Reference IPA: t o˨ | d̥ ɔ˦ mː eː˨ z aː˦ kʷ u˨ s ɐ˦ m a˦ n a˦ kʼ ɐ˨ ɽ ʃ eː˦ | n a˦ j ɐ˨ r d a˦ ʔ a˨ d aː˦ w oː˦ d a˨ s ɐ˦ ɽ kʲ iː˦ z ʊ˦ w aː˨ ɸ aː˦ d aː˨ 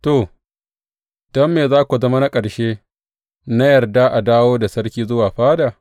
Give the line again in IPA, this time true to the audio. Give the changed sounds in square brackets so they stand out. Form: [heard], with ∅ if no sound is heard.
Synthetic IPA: t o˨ | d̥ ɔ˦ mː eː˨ z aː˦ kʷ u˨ [z] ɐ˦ m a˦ n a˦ kʼ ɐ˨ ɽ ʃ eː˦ | n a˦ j ɐ˨ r d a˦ ʔ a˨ d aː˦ w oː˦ d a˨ s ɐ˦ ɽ kʲ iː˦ z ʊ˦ w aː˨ ɸ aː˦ d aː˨